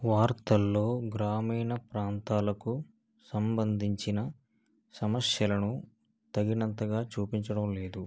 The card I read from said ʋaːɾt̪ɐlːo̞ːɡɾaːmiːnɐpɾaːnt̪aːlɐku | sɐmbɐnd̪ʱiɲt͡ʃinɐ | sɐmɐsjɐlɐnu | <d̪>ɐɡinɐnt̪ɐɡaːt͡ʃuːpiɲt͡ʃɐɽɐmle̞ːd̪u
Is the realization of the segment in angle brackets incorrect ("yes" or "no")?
yes